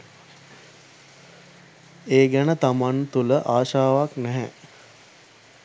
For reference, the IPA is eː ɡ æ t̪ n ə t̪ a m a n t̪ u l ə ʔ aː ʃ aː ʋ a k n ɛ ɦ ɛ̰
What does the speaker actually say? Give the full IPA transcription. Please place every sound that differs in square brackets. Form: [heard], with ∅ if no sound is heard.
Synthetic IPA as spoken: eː ɡ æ [∅] n ə t̪ a m a n t̪ u l ə ʔ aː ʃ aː ʋ a k n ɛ ɦ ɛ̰